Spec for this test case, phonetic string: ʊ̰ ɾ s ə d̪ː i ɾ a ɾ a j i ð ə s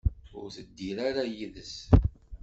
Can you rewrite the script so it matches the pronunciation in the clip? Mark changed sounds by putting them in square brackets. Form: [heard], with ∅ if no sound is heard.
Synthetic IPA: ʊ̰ ɾ [θ] ə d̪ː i ɾ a ɾ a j i ð ə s